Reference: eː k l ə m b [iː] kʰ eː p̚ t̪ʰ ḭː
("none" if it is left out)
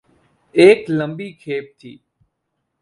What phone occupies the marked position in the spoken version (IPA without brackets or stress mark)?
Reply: iː